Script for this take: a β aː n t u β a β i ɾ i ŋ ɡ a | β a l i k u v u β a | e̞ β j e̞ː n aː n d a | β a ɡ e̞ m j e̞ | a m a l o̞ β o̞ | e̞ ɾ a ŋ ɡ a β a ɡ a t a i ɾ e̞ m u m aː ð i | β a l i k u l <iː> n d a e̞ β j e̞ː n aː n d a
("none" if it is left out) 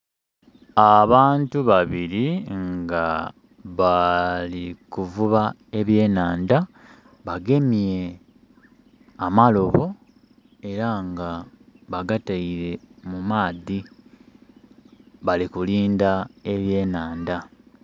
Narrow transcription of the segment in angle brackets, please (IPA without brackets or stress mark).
iː